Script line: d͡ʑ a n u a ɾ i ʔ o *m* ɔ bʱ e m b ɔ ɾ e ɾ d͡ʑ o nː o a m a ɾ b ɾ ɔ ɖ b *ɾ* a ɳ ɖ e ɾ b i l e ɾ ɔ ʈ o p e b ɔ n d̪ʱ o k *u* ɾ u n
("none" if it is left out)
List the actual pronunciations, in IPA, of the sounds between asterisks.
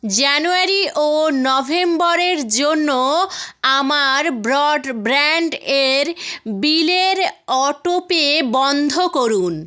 n, ɾ, o

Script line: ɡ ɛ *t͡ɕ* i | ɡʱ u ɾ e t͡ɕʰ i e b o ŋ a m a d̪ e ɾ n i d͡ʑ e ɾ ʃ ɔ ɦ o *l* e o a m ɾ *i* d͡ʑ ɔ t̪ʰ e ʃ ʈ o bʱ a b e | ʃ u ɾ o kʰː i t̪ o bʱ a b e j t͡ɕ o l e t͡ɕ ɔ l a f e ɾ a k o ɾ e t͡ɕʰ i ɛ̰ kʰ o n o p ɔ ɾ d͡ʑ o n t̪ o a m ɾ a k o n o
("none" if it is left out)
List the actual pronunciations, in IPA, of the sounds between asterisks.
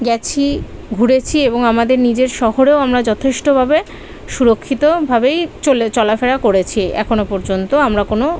t͡ɕʰ, ɾ, a

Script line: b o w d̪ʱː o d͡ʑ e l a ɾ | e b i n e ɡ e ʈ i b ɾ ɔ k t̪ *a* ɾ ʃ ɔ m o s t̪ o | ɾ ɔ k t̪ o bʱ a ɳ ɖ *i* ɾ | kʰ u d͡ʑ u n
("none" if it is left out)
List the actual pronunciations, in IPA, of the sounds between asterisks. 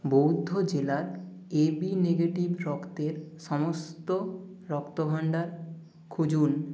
e, a

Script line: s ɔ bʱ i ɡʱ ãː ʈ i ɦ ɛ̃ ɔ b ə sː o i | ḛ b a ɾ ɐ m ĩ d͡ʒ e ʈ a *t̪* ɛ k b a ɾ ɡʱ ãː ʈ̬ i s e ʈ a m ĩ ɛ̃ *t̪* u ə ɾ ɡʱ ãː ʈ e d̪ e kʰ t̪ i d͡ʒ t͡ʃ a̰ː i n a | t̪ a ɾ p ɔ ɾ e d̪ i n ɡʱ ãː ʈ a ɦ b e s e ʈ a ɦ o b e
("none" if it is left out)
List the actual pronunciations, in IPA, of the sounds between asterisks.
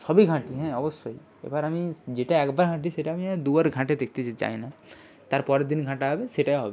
none, d̪

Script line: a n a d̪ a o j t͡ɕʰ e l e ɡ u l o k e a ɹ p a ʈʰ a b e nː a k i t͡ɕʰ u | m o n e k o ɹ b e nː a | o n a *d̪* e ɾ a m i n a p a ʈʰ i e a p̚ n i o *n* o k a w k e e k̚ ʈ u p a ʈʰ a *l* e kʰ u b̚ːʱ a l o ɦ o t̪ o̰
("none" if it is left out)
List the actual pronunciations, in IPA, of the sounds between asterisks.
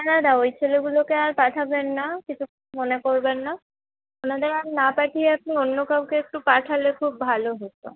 d̪, nː, l

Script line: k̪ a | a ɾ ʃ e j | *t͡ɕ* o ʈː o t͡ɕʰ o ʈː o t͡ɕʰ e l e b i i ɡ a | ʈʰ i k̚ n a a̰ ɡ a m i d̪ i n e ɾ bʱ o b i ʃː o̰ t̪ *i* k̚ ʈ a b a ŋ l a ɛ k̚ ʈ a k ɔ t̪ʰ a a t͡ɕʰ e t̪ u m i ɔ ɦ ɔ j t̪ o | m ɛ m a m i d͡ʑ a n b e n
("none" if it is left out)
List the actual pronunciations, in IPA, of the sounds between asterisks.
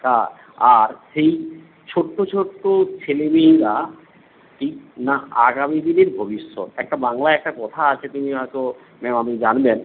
t͡ɕʰ, ɛ

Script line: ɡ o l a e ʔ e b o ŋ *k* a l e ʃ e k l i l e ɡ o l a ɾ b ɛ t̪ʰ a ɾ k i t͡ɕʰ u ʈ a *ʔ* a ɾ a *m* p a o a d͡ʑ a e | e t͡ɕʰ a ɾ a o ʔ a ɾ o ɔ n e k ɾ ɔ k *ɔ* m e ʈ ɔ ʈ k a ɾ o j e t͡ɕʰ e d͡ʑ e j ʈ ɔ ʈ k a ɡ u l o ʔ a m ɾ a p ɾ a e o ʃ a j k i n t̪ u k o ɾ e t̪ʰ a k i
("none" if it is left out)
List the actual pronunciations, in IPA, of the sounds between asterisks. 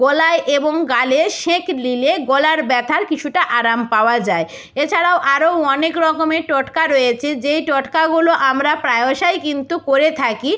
ɡ, ʔ, m, o

